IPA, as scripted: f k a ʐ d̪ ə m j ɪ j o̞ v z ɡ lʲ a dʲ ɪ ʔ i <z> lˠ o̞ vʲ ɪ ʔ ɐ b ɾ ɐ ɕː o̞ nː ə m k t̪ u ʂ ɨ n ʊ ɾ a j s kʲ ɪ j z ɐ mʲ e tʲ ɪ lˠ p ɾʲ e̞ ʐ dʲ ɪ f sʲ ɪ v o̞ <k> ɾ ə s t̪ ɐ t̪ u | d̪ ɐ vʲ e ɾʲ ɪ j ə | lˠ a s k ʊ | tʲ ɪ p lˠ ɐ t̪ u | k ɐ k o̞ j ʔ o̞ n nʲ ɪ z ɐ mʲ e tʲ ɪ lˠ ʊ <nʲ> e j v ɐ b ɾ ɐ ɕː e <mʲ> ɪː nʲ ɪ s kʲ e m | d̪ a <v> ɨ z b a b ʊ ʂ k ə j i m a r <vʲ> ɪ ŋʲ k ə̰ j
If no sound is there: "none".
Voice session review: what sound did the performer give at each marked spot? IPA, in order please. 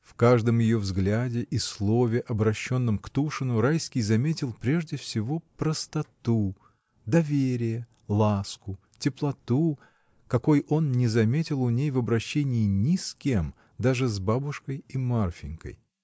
s, p, nʲ, nʲ, ʐ, fʲ

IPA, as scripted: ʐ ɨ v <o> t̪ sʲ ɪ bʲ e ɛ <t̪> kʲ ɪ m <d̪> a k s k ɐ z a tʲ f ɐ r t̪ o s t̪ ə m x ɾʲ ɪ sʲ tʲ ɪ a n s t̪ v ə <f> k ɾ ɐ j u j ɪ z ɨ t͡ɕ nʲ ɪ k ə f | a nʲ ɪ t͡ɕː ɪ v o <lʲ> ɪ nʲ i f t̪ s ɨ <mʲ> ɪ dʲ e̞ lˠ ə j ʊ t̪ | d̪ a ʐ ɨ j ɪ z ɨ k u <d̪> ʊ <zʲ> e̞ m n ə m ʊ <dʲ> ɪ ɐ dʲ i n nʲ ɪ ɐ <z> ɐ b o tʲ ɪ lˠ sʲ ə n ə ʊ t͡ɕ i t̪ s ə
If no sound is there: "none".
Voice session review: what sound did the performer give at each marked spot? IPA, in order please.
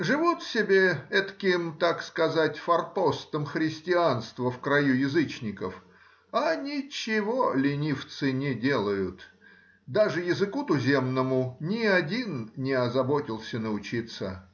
u, t̪, t̪, f, lʲ, nʲ, t̪, zʲ, nʲ, z

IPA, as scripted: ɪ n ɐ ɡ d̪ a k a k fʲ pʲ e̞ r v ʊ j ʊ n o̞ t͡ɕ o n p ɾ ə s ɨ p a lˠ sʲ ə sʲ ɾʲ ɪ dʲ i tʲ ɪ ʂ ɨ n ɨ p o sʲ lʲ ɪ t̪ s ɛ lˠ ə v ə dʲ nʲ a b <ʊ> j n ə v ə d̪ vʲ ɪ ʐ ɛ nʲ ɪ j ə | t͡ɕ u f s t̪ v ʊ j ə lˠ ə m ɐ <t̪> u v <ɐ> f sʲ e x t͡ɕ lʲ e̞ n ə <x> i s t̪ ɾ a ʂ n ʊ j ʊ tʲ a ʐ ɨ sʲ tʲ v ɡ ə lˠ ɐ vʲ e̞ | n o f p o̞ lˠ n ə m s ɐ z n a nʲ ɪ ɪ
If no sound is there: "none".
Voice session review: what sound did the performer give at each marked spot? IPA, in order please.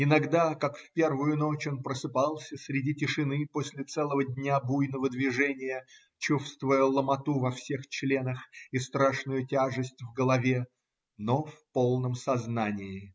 u, t̪, ɐ, x

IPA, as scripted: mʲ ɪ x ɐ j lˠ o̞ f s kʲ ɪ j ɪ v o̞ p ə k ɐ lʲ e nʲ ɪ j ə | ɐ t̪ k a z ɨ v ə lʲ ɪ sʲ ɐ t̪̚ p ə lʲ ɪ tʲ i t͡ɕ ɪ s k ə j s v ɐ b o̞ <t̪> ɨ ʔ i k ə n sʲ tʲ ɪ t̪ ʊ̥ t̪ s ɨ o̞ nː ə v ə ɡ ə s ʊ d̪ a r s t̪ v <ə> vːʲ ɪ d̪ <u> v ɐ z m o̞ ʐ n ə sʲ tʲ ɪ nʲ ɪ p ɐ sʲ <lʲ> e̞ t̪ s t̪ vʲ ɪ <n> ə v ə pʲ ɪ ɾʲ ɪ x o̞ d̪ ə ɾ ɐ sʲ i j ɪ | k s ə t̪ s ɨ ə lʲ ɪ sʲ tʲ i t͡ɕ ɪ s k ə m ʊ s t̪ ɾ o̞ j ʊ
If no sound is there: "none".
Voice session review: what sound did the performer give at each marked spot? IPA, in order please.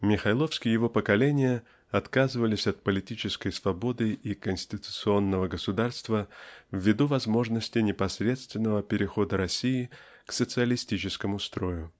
d̪, ə, u, ɾʲ, nː

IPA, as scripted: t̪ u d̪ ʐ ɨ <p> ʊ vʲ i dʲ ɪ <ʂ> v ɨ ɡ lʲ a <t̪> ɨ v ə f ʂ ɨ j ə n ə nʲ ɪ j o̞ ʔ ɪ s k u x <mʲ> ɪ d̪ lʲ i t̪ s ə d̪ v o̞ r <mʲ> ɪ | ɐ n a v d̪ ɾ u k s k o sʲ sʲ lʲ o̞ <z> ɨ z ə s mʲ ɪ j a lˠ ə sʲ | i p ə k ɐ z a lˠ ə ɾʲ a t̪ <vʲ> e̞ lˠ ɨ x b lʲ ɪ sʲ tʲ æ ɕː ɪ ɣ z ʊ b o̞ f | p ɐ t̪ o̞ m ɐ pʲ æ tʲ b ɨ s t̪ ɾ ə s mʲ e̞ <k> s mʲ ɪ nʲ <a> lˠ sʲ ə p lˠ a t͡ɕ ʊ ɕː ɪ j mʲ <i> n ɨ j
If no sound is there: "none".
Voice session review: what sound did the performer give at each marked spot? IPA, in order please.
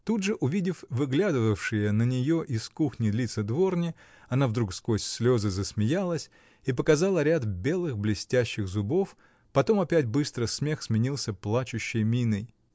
ʔ, f, d̪, nʲ, nʲ, z, bʲ, x, i, i

